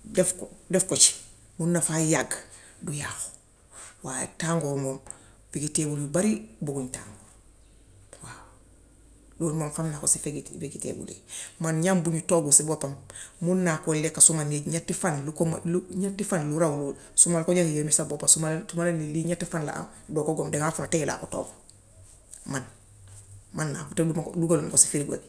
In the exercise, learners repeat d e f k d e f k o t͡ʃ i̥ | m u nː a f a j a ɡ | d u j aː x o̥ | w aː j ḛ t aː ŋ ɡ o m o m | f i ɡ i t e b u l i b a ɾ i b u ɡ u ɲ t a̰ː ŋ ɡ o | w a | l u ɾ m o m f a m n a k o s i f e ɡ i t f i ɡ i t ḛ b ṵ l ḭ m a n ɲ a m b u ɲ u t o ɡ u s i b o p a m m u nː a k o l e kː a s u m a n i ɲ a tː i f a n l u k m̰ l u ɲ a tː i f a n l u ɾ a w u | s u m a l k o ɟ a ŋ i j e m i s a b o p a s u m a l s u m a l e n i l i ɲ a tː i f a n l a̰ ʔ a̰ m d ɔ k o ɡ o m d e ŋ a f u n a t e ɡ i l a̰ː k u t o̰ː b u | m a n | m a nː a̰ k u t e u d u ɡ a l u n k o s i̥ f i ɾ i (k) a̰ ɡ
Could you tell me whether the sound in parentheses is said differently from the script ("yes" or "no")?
yes